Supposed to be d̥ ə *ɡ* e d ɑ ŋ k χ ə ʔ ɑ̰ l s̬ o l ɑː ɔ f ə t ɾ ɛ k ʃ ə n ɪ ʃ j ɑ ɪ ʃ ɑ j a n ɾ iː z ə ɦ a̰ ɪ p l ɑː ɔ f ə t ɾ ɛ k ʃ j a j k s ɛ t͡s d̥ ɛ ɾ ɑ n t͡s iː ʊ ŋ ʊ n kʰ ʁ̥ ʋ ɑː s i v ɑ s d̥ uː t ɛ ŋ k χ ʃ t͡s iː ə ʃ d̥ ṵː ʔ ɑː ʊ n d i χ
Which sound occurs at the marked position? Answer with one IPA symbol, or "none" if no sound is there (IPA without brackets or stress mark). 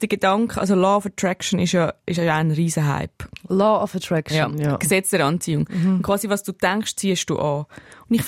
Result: ɡ